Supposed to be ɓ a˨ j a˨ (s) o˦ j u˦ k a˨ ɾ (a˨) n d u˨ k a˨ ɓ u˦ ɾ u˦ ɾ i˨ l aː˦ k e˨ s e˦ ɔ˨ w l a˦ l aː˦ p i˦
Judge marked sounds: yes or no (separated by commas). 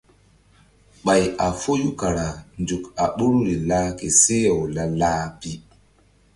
no, yes